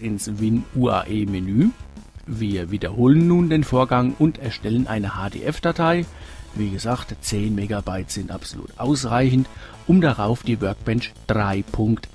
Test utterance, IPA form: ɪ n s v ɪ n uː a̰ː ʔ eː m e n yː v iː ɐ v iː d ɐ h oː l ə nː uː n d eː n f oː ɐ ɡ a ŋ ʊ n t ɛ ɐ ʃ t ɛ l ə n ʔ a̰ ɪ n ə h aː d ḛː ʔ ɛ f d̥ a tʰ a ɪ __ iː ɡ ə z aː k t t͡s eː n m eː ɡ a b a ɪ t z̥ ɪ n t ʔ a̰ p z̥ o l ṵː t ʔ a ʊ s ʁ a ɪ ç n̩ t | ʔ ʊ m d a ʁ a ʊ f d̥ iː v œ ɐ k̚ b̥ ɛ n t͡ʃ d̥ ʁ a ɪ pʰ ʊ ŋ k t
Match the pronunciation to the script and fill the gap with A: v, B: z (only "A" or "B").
A